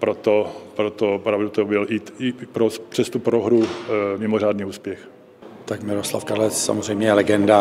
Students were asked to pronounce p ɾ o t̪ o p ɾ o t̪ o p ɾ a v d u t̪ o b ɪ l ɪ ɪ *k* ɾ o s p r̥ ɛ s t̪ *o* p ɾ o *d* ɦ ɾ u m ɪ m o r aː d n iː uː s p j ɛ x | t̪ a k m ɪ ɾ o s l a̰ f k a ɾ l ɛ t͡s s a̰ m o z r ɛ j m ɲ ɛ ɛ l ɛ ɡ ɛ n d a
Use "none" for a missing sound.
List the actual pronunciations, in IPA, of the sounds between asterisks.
p, u, none

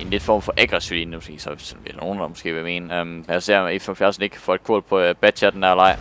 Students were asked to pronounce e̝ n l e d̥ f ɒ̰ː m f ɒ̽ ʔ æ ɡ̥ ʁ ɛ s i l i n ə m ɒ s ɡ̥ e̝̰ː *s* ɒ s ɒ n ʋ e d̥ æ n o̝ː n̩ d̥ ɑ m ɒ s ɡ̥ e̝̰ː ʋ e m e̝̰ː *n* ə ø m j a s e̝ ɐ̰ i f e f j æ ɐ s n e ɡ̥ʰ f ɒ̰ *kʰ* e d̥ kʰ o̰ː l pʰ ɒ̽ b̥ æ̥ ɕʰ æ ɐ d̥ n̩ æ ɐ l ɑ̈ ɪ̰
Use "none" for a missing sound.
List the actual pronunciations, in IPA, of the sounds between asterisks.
s, n, none

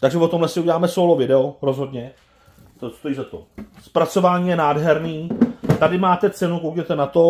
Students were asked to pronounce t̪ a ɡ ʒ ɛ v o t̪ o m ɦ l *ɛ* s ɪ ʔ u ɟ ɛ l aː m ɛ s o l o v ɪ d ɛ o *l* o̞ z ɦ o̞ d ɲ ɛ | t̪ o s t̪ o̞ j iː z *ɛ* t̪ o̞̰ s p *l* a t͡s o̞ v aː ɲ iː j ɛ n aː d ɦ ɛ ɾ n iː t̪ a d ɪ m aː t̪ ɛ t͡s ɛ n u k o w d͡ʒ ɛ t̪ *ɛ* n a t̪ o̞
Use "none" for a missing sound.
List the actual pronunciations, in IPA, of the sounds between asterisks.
ɛ, ɾ, a, ɾ, ɛ

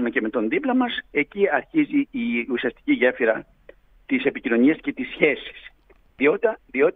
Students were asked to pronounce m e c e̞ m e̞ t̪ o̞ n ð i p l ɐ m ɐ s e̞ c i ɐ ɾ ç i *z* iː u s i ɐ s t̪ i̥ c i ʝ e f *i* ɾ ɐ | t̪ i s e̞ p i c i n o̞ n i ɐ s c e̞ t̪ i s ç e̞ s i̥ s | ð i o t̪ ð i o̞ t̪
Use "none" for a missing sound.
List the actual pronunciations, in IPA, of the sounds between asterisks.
z, i

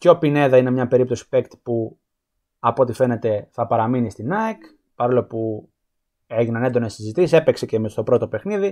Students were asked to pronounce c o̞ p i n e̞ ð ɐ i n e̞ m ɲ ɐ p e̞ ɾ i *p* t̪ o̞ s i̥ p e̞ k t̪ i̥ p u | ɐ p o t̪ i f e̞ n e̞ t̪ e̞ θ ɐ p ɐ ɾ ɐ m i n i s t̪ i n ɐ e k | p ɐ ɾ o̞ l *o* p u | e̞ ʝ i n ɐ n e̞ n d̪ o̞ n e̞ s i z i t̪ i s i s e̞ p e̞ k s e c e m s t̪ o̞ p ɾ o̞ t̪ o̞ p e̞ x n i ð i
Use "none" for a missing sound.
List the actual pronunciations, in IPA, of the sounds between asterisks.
p, o

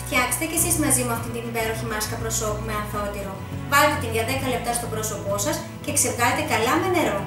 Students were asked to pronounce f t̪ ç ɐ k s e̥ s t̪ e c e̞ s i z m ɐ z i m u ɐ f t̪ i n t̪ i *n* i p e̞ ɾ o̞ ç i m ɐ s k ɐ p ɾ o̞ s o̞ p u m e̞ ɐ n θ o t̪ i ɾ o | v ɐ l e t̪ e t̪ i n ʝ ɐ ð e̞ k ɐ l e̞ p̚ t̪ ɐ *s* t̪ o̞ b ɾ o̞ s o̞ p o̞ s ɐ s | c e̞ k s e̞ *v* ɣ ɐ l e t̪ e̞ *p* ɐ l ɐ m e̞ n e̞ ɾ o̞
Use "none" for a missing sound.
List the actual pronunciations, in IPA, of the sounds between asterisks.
n, s, v, k

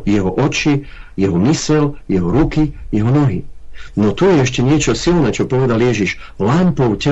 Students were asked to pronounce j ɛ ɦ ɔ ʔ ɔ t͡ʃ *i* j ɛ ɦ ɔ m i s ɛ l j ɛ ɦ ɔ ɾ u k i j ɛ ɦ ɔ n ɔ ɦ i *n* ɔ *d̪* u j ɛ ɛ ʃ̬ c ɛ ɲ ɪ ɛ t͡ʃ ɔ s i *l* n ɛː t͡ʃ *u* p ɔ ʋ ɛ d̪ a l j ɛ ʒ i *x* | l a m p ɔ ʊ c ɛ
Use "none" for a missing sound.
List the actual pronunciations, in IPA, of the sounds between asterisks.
i, n, t̪, l, ɔ, ʃ

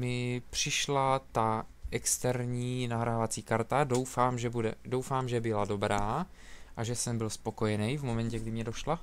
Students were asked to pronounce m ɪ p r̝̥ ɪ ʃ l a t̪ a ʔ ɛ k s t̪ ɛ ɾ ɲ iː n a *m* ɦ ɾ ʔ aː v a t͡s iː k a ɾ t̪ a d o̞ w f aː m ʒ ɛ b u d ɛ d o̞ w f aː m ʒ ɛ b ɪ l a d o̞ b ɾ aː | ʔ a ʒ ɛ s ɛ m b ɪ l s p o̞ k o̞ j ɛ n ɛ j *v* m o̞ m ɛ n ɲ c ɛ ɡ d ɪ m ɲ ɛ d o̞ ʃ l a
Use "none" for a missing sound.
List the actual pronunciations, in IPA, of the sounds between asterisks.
none, v

